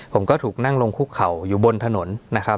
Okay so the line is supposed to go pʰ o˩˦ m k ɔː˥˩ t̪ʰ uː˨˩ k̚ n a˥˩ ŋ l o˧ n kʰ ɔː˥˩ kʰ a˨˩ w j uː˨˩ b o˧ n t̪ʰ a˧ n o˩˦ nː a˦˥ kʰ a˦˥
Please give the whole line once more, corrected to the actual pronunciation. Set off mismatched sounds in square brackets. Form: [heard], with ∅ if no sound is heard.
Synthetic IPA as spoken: pʰ o˩˦ m k ɔː˥˩ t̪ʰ uː˨˩ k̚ n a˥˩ ŋ l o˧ [ŋ] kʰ [uː˥˩] kʰ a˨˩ w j uː˨˩ b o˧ n t̪ʰ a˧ n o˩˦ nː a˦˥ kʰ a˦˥